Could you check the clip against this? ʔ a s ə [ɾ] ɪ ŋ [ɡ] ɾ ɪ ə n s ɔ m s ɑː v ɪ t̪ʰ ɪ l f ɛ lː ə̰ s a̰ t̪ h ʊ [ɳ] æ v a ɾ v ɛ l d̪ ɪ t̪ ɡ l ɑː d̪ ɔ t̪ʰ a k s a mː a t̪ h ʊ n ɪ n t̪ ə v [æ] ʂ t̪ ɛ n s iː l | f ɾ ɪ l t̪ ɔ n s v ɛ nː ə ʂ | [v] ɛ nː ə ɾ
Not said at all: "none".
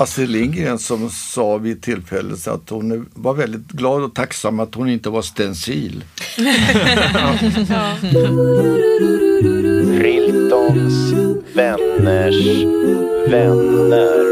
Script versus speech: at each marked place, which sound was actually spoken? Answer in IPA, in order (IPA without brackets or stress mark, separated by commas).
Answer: l, ɡ, n, a, v